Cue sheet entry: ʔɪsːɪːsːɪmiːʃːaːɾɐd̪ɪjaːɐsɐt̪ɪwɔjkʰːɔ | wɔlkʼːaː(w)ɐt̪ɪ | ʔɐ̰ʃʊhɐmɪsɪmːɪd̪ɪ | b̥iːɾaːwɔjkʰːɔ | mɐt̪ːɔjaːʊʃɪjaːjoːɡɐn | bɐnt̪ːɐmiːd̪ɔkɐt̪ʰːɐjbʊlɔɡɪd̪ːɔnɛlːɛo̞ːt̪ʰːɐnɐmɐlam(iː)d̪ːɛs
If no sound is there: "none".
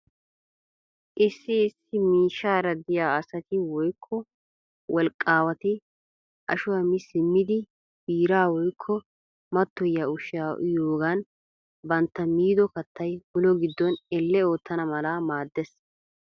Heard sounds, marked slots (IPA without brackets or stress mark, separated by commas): w, aː